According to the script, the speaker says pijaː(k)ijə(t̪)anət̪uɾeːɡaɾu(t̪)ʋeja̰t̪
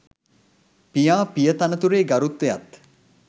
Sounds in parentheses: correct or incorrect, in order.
incorrect, correct, correct

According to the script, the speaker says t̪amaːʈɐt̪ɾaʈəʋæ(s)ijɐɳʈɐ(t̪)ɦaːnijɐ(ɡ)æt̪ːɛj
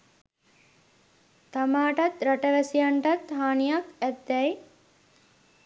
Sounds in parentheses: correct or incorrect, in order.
correct, correct, incorrect

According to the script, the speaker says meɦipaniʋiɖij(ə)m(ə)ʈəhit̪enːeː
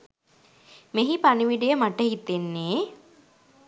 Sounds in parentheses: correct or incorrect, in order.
correct, incorrect

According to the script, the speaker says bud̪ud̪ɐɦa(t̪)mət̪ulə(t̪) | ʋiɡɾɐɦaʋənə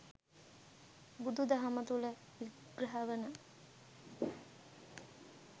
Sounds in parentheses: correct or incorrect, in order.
incorrect, incorrect

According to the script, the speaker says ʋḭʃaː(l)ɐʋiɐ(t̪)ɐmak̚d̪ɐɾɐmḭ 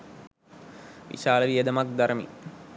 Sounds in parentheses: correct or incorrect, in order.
correct, incorrect

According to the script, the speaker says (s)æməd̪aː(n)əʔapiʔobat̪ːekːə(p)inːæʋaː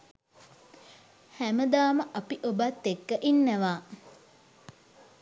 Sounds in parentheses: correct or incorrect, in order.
incorrect, incorrect, incorrect

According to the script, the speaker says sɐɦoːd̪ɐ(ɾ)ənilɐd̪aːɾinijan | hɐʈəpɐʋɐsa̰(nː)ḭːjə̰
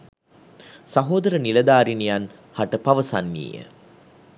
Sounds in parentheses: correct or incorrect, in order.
correct, correct

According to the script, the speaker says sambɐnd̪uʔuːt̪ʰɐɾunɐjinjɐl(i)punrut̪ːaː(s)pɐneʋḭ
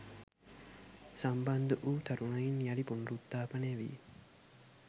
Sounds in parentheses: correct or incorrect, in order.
correct, incorrect

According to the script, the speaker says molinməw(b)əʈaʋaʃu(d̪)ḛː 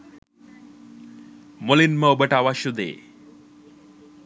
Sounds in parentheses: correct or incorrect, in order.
correct, correct

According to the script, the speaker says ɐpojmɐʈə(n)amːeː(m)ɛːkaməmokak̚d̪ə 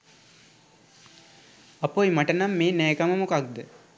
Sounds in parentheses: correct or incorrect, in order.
correct, incorrect

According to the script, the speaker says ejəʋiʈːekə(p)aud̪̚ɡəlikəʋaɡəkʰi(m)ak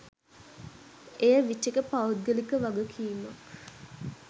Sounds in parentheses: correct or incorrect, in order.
correct, correct

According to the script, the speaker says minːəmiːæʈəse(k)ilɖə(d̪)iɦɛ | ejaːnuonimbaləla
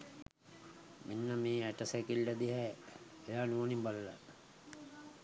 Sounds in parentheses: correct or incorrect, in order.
correct, correct

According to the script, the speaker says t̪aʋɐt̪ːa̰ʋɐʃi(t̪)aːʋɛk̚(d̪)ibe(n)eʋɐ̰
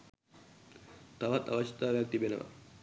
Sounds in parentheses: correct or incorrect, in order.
correct, incorrect, correct

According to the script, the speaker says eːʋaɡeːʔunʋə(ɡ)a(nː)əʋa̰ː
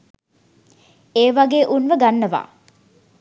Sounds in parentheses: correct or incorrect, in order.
correct, correct

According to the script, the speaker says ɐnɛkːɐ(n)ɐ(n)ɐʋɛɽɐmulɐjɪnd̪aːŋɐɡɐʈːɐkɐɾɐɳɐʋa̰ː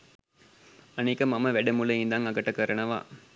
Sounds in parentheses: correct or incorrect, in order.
incorrect, incorrect

